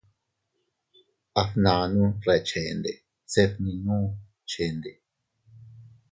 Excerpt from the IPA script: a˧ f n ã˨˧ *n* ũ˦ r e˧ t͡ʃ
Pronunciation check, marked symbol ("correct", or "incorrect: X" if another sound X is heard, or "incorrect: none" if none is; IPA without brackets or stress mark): correct